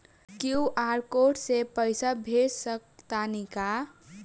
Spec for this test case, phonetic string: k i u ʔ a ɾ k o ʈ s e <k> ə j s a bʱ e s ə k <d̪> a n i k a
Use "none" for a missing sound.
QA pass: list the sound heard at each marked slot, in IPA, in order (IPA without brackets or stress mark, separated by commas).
p, t̪